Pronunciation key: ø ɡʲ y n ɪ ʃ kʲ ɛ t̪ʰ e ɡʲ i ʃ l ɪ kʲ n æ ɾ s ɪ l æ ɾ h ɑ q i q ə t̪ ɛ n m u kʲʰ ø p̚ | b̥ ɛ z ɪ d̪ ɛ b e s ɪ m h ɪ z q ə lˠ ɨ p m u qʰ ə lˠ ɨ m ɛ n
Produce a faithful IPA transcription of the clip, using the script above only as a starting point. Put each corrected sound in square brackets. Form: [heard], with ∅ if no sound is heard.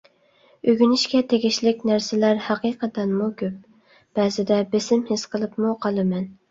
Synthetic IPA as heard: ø ɡʲ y n ɪ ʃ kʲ ɛ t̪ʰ e ɡʲ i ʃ l ɪ kʲ n æ ɾ s ɪ l æ ɾ h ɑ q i q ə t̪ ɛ n m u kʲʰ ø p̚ | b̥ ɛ z ɪ d̪ ɛ b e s ɪ m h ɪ [s] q ə lˠ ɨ p m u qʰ [ɑ] lˠ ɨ m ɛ n